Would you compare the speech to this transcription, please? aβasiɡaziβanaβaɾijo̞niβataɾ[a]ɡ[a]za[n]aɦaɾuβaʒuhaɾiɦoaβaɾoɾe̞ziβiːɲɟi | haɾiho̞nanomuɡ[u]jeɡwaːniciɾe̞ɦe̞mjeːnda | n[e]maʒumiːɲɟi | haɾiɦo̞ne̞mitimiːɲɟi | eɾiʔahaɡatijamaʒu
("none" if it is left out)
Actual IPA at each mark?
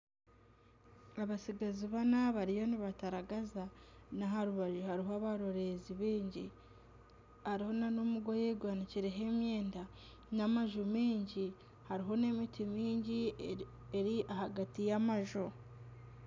a, a, n, o, a

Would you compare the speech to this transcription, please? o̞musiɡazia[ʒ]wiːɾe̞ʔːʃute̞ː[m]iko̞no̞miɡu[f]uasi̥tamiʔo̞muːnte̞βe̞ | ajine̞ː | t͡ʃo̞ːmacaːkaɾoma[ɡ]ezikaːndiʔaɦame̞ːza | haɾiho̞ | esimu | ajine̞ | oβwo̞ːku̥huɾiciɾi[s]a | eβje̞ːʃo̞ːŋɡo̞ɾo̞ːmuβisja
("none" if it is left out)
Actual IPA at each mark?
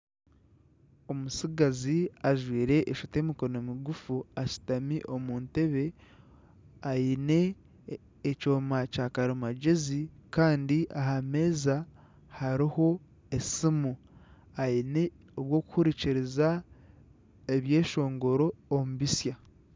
ʒ, m, f, ɟ, z

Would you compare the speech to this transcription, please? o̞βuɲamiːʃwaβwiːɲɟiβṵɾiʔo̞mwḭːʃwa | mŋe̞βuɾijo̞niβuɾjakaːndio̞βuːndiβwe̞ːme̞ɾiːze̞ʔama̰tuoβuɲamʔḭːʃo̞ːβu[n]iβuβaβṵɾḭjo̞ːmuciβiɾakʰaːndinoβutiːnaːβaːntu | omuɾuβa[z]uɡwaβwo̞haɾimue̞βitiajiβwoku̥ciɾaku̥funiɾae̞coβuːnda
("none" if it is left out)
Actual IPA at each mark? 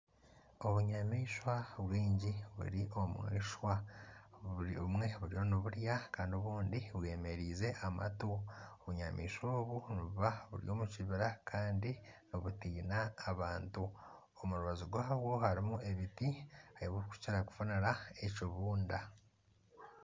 n, z

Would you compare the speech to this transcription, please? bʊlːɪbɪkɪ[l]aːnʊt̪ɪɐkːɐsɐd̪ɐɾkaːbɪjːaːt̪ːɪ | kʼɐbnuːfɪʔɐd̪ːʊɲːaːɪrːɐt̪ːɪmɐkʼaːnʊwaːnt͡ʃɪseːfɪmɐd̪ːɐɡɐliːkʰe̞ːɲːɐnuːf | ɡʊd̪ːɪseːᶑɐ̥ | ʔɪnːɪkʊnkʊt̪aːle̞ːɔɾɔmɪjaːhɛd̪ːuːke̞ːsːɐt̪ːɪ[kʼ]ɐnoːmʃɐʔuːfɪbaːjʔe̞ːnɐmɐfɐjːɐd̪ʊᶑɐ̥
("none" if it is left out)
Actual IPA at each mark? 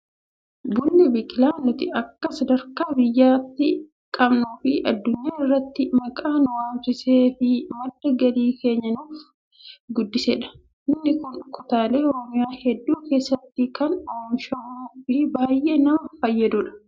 l, k

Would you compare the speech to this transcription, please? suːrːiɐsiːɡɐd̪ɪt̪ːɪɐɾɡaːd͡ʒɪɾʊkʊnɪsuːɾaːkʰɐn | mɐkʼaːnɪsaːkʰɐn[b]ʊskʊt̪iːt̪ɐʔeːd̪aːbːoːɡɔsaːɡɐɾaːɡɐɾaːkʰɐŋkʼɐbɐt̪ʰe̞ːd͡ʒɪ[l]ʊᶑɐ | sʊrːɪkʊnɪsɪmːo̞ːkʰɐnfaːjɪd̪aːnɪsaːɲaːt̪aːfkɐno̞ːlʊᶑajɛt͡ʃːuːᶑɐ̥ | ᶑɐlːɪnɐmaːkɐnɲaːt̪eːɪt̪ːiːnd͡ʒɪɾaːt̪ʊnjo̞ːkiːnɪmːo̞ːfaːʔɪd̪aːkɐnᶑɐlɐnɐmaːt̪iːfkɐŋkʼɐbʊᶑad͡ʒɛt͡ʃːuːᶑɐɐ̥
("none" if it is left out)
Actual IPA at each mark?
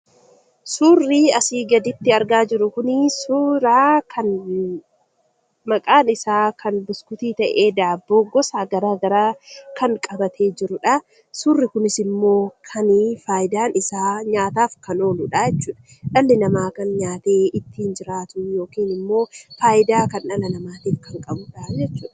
b, ɾ

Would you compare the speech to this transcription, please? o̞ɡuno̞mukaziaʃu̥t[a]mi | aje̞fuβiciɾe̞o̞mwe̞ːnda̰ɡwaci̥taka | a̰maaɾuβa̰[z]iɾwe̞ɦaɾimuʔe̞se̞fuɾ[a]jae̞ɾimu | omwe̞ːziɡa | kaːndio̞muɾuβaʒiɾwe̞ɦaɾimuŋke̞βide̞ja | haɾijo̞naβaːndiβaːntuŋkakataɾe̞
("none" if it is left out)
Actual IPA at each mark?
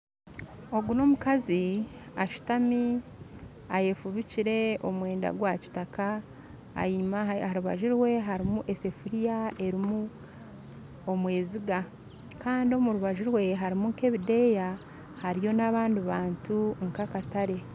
a, ʒ, i

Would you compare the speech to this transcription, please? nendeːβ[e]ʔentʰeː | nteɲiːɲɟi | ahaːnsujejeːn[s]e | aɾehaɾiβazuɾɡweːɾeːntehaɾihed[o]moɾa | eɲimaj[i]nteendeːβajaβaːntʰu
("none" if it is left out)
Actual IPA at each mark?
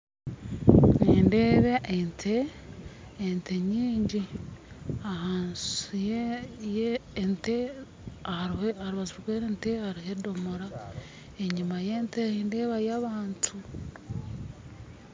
e, t, o, e

